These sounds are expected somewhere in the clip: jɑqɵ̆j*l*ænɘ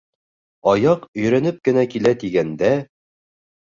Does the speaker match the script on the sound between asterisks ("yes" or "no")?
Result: no